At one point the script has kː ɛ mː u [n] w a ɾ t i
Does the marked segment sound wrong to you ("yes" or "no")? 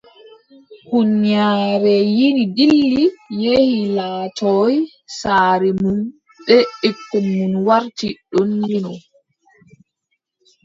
no